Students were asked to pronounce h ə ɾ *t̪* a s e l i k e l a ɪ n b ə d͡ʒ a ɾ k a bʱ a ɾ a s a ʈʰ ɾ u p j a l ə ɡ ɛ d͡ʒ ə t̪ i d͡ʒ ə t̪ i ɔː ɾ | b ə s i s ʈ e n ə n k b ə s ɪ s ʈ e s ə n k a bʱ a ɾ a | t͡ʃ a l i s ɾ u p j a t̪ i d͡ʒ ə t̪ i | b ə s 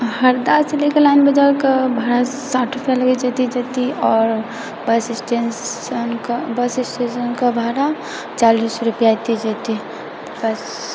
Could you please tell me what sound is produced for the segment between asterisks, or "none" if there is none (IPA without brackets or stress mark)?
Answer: d̪